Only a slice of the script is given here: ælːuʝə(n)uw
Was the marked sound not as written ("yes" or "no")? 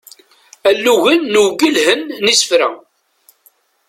yes